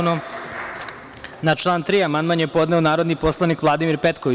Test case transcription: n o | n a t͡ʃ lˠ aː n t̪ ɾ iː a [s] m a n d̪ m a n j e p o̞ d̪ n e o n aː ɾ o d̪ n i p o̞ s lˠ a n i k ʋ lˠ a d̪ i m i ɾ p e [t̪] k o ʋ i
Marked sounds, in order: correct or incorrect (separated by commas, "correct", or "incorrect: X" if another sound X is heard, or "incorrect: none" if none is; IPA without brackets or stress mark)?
incorrect: none, correct